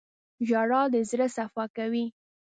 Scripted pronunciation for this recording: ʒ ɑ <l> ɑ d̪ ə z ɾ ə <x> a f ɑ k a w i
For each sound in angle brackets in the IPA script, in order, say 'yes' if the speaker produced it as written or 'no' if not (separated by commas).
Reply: no, no